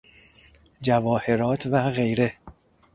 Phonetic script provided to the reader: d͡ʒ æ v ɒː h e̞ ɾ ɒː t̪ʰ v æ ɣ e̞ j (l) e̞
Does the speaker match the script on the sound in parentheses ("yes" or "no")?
no